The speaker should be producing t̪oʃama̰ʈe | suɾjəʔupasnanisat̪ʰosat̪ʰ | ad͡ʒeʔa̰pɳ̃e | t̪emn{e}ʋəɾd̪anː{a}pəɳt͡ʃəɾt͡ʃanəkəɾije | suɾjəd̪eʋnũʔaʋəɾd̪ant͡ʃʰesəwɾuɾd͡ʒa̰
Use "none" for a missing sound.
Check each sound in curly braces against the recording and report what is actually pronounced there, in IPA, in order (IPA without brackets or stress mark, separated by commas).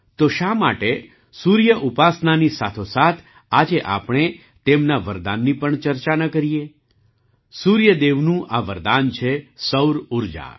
a, i